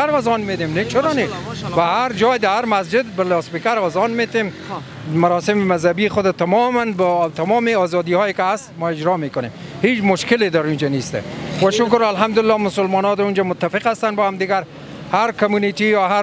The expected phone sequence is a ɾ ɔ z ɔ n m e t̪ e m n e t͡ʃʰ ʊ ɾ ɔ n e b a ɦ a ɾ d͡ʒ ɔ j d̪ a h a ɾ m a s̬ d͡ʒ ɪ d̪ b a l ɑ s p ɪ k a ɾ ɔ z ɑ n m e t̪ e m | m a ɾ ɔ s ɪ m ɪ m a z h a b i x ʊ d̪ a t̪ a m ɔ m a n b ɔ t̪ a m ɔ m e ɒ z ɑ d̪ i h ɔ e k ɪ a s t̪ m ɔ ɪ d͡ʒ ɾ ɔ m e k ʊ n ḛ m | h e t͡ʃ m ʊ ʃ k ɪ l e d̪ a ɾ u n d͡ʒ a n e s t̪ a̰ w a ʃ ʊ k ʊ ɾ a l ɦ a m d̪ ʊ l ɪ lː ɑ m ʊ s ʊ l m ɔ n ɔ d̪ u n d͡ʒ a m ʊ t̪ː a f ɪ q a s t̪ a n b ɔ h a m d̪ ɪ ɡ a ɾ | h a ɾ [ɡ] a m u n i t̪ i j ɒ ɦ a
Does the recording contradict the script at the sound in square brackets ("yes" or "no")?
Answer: yes